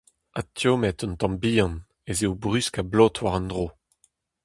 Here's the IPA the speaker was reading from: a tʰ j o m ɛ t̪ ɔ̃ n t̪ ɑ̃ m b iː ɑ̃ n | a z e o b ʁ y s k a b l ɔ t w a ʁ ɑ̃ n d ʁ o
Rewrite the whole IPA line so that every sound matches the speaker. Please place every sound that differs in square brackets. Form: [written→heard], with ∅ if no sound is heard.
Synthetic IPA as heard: a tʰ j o m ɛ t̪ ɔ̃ n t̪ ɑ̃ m b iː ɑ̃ n | [a→e] z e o b ʁ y s k a b l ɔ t w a ʁ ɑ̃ n d ʁ o

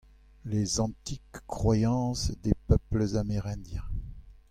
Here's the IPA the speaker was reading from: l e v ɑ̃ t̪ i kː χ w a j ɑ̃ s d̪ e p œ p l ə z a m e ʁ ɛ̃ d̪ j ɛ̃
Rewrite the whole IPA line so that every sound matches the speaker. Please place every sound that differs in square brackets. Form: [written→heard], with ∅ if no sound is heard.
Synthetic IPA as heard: l e [v→z] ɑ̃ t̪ i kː χ w a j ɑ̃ s d̪ e p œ p l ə z a m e ʁ ɛ̃ d̪ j ɛ̃

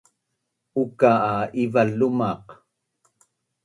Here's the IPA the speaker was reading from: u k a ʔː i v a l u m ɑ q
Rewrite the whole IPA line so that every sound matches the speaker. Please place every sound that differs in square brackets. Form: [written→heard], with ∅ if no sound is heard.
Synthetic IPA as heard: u k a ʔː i v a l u m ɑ q

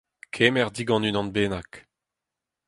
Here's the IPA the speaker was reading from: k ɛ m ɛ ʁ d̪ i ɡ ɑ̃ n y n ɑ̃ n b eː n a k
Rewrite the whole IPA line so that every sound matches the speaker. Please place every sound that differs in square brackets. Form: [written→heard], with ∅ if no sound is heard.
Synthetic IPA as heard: [k→kʰ] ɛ m ɛ ʁ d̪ i ɡ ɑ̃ n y n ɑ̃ n b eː n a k

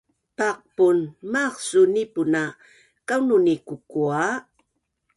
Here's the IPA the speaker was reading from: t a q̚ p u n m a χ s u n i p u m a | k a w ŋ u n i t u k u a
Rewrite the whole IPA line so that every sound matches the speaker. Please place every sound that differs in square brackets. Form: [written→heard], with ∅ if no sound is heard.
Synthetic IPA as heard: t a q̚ p u n m a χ s u n i p u [m→n] a | k a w [ŋ→n] u n i [t→k] u k u a

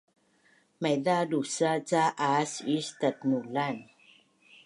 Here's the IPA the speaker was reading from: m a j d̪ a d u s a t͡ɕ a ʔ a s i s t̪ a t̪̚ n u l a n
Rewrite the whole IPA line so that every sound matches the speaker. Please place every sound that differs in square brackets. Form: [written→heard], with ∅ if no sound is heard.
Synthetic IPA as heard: m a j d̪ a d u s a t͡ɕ a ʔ a s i s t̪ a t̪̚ n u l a n

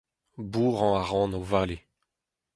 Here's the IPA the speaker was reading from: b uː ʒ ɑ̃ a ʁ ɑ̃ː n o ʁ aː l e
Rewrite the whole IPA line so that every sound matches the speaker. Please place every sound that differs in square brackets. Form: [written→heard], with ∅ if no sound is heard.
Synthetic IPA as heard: b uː [ʒ→ʁ] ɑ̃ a ʁ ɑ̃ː n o [ʁ→v] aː l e

